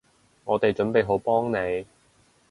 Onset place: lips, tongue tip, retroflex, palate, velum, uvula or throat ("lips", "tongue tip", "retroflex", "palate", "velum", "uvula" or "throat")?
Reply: velum